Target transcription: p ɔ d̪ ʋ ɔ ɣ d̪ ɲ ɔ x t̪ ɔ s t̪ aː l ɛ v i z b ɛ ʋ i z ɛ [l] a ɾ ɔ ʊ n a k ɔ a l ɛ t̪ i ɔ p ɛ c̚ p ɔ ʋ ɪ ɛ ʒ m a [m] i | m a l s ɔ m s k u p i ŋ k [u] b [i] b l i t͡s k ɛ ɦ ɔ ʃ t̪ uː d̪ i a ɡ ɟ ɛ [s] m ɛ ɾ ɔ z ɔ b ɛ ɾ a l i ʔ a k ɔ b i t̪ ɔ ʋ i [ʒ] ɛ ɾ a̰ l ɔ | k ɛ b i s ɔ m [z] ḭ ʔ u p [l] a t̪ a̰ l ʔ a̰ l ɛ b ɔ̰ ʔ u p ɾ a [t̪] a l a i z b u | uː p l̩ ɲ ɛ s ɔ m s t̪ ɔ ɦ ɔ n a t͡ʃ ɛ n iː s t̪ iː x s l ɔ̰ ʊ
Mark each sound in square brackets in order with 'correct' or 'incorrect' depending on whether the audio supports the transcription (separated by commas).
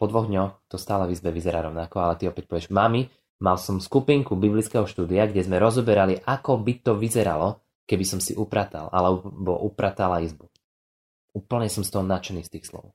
incorrect, correct, correct, correct, incorrect, incorrect, incorrect, incorrect, correct